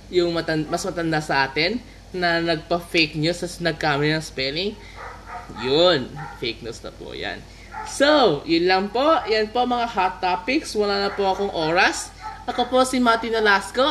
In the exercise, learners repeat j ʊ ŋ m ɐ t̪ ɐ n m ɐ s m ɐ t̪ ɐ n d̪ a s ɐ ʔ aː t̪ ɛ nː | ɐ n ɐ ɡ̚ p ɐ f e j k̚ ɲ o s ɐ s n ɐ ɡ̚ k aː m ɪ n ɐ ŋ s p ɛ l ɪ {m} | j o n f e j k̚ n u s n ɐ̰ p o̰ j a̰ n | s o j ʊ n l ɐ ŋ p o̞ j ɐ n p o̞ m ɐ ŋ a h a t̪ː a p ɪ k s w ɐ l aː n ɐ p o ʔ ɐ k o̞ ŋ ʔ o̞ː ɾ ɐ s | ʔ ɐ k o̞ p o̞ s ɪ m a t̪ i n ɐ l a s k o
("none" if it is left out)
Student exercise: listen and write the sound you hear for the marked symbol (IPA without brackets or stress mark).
ŋ